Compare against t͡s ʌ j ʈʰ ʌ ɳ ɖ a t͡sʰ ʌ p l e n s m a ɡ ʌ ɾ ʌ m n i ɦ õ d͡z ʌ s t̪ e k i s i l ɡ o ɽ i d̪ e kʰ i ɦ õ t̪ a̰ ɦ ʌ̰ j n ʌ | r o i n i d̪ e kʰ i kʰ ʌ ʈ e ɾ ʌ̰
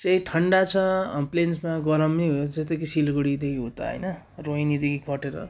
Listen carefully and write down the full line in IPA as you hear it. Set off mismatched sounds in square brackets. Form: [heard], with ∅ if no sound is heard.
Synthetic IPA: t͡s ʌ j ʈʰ ʌ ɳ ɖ a t͡sʰ ʌ p l e n s m a ɡ ʌ ɾ ʌ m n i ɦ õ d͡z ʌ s t̪ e k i s i l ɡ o ɽ i d̪ e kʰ i ɦ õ t̪ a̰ ɦ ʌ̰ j n ʌ | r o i n i d̪ e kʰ i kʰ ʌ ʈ e ɾ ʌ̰